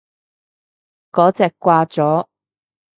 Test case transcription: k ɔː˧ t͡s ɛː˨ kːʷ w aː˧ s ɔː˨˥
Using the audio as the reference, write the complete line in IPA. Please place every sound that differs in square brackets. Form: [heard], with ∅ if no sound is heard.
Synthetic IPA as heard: k [ɔː˨˥] t͡s ɛː˨ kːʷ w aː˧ [t͡s] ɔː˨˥